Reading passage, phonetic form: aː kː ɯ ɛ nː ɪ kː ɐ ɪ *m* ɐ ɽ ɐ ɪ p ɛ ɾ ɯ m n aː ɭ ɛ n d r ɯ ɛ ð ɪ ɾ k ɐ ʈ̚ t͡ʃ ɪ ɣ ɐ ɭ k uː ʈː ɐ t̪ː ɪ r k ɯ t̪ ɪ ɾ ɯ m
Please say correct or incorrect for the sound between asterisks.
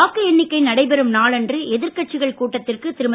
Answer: incorrect